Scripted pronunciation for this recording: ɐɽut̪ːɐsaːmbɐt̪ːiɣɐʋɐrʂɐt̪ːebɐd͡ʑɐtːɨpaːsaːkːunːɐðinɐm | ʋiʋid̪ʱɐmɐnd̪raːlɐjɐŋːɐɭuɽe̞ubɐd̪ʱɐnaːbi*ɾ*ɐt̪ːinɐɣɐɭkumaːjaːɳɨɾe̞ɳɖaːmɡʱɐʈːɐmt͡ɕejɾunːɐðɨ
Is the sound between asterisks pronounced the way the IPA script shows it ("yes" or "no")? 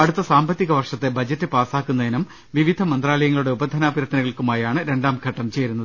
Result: yes